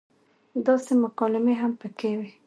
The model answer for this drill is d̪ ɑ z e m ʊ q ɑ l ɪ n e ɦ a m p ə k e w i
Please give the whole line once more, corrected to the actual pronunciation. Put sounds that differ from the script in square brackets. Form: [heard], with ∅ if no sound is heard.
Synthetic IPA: d̪ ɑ [s] e m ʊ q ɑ l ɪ [m] e ɦ a m p ə k e w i